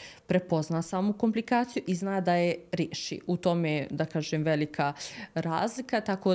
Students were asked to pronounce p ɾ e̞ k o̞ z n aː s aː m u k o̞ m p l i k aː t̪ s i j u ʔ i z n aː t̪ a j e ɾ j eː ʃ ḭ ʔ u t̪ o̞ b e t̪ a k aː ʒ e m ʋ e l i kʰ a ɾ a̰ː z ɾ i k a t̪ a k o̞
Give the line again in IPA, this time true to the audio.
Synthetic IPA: p ɾ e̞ p o̞ z n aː s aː m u k o̞ m p l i k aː t̪ s i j u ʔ i z n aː d̪ a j e ɾ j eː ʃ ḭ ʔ u t̪ o̞ m e d̪ a k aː ʒ e m ʋ e l i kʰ a ɾ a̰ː z l i k a t̪ a k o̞